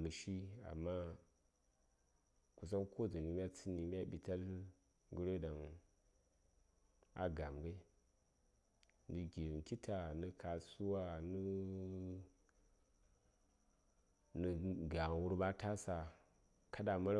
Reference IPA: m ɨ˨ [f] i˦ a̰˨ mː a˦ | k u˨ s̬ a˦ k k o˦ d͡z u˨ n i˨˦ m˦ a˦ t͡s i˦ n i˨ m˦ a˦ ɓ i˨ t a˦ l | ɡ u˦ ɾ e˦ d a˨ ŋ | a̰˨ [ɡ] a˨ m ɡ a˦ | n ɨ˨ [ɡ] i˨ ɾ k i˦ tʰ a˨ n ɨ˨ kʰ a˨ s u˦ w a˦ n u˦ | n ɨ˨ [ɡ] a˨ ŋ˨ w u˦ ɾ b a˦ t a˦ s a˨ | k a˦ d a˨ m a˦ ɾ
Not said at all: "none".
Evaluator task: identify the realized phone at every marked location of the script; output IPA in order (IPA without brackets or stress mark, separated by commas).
ʃ, ɡ, ɡ, ɡ